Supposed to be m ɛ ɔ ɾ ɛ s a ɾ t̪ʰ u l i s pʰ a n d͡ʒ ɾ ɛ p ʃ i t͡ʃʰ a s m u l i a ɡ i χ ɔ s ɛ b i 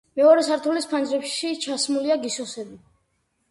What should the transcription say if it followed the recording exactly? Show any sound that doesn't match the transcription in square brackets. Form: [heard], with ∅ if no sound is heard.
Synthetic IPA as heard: m ɛ ɔ ɾ ɛ s a ɾ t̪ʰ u l i s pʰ a n d͡ʒ ɾ ɛ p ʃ i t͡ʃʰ a s m u l i a ɡ i [s] ɔ s ɛ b i